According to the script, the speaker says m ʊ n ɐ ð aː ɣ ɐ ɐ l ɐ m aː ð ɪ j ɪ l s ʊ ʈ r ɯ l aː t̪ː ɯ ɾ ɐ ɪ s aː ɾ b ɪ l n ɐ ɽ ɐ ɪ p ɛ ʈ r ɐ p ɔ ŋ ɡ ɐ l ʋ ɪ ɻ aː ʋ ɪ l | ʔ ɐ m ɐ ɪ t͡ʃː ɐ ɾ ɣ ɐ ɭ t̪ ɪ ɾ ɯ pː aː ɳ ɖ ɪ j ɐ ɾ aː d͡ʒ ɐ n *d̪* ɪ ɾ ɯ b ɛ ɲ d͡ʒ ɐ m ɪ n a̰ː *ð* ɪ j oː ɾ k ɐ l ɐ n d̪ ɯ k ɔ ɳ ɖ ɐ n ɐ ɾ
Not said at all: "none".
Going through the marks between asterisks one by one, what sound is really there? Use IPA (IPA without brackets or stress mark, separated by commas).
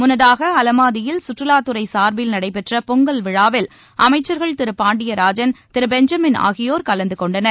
t̪, ɣ